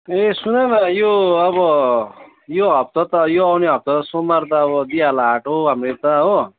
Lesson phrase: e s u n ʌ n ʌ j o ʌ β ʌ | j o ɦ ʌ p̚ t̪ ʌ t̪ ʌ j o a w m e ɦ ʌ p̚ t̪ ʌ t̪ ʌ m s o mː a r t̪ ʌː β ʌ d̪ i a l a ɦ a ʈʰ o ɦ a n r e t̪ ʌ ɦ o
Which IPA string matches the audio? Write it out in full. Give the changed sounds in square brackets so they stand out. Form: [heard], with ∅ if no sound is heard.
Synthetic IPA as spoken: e s u n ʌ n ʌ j o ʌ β ʌ | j o ɦ ʌ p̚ t̪ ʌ t̪ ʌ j o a w [n] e ɦ ʌ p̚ t̪ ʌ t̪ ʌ [∅] s o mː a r t̪ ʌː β ʌ d̪ i a l a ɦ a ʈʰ o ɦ a [m] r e t̪ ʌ ɦ o